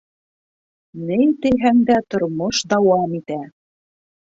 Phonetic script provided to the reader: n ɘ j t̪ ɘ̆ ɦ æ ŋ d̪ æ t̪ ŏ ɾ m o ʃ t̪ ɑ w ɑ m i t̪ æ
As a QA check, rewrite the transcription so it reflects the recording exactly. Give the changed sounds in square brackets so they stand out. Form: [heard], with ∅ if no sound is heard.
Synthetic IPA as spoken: n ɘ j t̪ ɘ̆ ɦ æ ŋ d̪ æ t̪ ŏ ɾ m o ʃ [d̪] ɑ w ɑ m i t̪ æ